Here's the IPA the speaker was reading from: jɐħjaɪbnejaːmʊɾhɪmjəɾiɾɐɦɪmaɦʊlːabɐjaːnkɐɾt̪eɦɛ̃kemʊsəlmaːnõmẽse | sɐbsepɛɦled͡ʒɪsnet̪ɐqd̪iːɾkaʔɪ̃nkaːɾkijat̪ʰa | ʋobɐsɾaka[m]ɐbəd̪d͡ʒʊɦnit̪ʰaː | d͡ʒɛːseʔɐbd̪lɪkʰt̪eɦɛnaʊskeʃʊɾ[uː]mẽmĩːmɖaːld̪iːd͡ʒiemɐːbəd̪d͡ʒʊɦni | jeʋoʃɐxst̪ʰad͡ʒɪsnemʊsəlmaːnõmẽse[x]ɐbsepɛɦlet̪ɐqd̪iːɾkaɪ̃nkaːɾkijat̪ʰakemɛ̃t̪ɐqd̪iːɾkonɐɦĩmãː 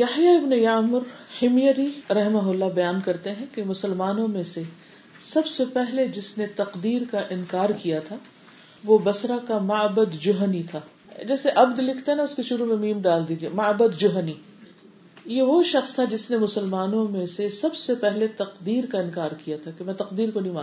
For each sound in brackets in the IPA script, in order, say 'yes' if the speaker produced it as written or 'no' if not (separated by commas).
yes, no, no